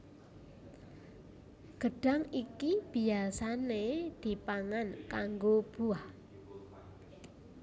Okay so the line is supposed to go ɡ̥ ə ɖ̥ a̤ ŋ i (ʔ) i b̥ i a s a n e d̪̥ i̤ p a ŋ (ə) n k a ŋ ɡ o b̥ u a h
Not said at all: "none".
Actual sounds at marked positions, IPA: k, a

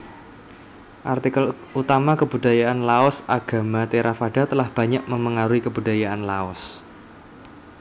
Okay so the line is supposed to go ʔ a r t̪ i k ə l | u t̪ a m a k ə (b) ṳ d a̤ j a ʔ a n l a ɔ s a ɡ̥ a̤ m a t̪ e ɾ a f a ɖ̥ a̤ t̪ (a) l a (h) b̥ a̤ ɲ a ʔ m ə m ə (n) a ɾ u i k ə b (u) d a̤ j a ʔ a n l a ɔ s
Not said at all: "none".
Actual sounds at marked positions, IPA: b, ə, h, ŋ, u

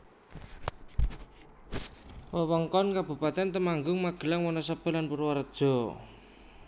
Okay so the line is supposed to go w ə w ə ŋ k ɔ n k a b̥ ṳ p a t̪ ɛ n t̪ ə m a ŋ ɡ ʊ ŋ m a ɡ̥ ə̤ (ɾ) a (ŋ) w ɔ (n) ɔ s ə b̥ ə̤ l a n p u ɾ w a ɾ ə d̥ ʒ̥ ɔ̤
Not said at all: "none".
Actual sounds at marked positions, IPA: l, ŋ, n

